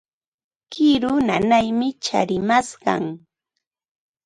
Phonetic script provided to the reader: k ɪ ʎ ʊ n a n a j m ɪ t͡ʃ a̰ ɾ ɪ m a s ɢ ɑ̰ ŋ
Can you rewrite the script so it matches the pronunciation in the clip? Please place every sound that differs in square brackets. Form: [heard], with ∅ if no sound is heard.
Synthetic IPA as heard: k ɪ [ɾ] ʊ n a n a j m ɪ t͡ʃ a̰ ɾ ɪ m a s ɢ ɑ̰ ŋ